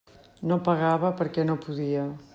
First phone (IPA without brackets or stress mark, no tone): n